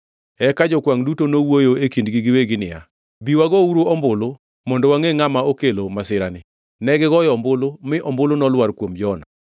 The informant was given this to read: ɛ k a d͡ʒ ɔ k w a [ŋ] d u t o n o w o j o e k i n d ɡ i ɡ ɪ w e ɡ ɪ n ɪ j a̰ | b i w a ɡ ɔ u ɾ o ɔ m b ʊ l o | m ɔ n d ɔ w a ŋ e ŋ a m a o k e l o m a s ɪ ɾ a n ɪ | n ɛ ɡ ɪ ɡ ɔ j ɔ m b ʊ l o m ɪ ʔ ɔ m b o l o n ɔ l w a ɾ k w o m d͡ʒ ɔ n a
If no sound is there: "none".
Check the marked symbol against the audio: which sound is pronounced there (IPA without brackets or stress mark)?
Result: ŋ